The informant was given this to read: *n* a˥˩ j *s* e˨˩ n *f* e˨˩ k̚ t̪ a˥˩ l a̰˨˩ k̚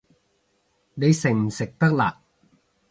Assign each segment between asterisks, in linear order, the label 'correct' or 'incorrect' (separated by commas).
incorrect, correct, incorrect